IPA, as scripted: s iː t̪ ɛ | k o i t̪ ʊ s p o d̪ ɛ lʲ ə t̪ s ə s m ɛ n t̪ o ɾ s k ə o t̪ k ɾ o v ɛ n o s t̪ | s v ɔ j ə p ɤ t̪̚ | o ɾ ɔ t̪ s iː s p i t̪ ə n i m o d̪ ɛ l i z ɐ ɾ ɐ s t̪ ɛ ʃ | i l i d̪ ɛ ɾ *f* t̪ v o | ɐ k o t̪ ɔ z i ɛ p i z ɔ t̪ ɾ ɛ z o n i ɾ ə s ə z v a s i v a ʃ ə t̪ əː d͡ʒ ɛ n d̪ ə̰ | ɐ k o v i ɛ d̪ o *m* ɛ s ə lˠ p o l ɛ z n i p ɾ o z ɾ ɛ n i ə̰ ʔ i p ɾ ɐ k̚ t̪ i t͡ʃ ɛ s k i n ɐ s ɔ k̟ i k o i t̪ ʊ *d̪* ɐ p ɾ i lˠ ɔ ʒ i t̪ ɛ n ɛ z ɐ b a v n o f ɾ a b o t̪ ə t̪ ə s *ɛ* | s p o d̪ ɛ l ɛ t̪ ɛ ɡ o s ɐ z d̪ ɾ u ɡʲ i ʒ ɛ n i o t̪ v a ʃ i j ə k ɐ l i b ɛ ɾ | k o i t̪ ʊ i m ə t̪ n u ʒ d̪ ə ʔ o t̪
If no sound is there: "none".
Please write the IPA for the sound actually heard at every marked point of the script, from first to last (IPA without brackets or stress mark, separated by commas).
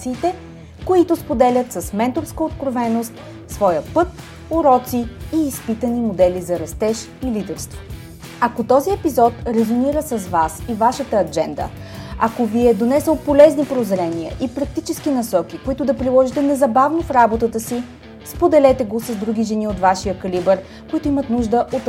s, n, d̪, i